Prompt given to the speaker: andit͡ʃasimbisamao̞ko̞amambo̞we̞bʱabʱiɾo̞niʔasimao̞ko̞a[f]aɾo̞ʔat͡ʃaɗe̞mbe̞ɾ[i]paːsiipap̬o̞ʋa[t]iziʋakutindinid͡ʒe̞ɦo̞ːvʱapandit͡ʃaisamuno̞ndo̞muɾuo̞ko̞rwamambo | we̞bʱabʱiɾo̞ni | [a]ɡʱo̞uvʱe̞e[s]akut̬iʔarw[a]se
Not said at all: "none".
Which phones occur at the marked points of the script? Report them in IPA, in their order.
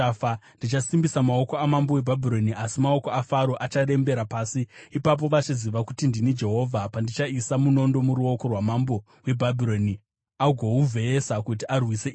f, a, t͡ʃ, a, s, i

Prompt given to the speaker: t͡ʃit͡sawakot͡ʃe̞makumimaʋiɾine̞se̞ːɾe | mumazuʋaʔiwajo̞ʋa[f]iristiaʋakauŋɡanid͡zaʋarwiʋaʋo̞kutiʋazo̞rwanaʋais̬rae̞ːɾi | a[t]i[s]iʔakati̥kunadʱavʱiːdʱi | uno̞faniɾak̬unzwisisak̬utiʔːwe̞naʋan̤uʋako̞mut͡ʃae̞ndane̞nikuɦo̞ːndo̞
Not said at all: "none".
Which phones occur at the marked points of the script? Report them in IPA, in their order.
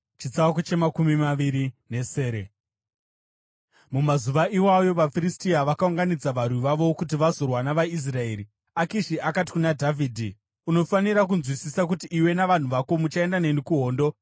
f, k, ʃ

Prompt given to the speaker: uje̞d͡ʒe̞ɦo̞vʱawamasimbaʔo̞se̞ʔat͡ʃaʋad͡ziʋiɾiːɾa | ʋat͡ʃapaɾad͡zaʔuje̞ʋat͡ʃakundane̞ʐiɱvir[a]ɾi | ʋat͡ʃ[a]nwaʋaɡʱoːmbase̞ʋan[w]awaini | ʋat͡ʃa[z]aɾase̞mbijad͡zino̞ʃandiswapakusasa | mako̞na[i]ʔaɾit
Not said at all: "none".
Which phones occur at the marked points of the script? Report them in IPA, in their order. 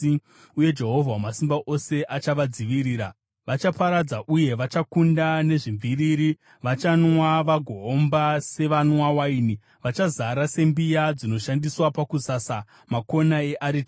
i, a, w, z, e

